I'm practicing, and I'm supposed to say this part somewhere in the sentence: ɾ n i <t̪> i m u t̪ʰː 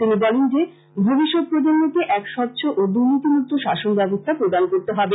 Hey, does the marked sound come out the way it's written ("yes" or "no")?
yes